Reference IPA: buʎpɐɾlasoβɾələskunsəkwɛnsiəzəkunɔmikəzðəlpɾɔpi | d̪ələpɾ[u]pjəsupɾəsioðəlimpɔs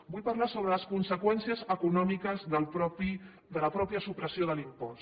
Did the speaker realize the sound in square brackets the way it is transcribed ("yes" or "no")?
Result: no